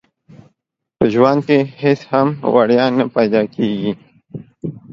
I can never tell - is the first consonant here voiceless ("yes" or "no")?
yes